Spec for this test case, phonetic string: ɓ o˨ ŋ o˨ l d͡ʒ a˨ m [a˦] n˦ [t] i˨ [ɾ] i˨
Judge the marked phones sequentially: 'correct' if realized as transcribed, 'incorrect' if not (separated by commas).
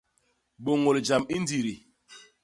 incorrect, incorrect, correct